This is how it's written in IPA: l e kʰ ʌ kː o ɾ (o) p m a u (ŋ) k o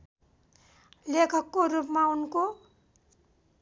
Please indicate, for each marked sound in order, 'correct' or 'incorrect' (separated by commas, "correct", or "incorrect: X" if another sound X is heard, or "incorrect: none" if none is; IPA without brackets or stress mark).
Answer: incorrect: u, incorrect: n